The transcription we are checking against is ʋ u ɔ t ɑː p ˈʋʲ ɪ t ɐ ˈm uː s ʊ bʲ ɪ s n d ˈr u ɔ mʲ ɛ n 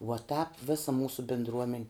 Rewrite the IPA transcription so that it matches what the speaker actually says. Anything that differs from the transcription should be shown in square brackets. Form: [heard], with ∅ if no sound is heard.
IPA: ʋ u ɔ t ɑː p ˈʋʲ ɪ [s] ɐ ˈm uː s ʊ bʲ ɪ [∅] n d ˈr u ɔ mʲ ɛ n